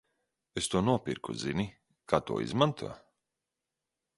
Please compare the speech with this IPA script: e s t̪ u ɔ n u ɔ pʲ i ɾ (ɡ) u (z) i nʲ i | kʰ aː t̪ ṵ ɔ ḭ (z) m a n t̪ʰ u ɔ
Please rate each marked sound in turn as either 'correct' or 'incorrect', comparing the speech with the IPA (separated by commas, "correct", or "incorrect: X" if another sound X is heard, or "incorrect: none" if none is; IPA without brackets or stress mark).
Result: incorrect: k, correct, correct